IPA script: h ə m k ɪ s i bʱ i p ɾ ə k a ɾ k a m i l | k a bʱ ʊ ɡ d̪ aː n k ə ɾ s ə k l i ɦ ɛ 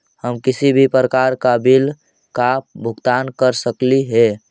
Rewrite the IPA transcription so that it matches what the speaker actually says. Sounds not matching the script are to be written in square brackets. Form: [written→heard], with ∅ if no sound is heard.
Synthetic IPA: h ə m k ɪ s i bʱ i p ɾ ə k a ɾ k a [m→b] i l | k a bʱ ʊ ɡ [d̪→t̪] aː n k ə ɾ s ə k l i ɦ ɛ